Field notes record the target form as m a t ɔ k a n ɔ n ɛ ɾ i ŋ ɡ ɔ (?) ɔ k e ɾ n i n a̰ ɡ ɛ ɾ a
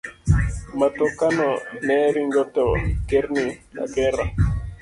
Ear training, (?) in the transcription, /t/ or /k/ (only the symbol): t